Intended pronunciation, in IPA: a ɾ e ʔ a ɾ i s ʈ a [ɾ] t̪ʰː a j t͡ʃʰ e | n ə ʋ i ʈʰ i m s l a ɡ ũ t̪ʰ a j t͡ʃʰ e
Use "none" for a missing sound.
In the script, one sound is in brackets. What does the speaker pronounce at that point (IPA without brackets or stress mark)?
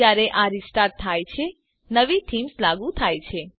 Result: ɾ